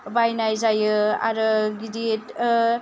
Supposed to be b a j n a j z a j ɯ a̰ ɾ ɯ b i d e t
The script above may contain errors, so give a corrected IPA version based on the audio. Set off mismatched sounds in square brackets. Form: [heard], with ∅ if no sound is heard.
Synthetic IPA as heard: b a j n a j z a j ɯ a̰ ɾ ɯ [ɡ] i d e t